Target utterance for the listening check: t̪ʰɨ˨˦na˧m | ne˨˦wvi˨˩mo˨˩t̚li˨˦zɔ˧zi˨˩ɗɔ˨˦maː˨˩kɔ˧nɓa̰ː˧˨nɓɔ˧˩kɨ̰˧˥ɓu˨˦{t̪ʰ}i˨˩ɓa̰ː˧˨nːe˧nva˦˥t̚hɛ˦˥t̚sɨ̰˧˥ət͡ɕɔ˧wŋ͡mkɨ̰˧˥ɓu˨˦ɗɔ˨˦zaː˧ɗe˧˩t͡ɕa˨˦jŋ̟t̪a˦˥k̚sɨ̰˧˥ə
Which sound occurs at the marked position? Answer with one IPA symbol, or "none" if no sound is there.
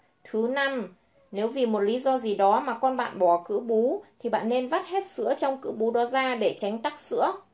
t̪ʰ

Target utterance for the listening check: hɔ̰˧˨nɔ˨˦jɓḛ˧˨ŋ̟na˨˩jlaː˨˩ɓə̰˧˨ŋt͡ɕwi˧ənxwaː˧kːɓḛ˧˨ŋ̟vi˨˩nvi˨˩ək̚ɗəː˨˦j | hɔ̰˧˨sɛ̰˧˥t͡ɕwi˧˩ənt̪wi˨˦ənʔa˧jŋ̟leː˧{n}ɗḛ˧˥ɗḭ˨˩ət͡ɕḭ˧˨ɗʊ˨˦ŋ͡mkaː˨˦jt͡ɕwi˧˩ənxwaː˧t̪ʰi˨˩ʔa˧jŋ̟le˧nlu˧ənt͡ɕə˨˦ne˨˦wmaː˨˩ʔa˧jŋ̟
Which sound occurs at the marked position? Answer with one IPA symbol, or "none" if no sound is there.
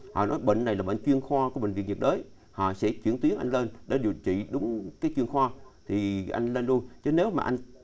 n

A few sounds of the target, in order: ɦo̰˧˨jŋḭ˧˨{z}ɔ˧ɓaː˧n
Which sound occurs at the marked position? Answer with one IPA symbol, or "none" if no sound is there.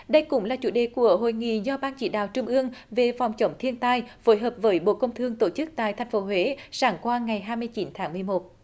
z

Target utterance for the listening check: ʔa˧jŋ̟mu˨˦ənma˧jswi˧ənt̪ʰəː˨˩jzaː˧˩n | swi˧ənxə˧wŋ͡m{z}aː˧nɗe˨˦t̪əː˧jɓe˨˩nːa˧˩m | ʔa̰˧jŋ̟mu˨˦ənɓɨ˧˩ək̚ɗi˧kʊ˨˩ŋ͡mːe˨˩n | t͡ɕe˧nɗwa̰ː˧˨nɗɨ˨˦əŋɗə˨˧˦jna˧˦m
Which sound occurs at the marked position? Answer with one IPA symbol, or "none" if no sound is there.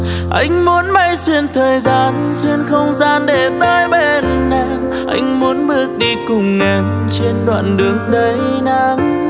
z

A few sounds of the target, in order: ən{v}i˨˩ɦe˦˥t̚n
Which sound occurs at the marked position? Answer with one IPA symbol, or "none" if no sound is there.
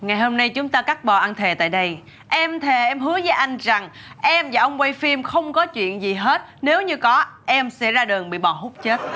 z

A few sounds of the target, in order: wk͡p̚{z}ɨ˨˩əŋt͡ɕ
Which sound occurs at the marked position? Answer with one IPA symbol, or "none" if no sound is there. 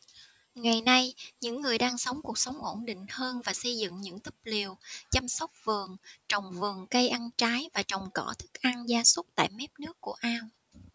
v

